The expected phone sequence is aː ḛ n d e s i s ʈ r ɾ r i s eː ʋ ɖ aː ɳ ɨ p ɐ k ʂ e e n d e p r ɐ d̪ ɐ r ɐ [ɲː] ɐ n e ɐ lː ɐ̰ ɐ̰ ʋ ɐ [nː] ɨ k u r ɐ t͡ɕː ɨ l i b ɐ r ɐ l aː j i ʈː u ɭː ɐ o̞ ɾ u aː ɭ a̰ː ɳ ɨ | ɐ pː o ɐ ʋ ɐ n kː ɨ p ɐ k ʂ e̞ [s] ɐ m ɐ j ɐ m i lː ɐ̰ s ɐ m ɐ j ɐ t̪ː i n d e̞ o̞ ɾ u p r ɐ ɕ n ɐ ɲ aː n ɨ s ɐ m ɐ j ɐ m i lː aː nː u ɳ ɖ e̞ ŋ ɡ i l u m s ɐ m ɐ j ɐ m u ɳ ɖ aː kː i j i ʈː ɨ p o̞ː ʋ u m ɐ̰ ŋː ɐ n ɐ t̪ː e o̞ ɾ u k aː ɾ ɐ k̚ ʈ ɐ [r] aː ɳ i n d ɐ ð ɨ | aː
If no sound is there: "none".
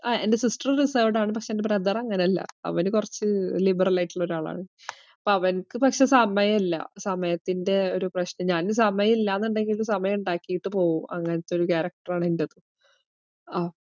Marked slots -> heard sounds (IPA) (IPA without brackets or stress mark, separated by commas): ŋː, n, s, r